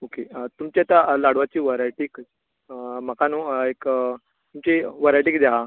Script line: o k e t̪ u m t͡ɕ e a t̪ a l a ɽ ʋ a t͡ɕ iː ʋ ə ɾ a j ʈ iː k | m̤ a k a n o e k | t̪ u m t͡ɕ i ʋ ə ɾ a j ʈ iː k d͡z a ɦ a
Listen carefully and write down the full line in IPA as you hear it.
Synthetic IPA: o k e t̪ u m t͡ɕ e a t̪ a l a ɽ ʋ a t͡ɕ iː ʋ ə ɾ a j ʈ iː k | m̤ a k a n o e k | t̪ u m t͡ɕ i ʋ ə ɾ a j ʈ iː k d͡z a ɦ a